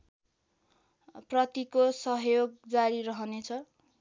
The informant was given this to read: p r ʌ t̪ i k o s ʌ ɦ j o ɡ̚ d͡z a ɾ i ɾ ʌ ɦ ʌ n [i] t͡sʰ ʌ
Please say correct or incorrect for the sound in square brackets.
incorrect